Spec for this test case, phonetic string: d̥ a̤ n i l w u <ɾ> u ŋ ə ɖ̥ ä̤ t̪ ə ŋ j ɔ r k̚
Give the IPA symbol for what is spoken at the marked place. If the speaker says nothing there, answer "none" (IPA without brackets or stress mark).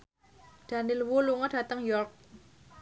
l